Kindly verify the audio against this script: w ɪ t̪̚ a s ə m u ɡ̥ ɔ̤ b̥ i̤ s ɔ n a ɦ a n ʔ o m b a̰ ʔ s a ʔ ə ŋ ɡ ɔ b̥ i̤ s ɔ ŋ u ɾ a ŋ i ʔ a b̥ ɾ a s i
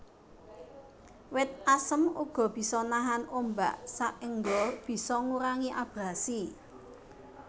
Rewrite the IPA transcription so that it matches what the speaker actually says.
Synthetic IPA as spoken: w ɪ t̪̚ a s ə m u ɡ̥ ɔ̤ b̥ i̤ s ɔ n a ɦ a n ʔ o m b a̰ ʔ s a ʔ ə ŋ ɡ ɔ b̥ i̤ s ɔ ŋ u ɾ a ŋ i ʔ a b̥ ɾ a s i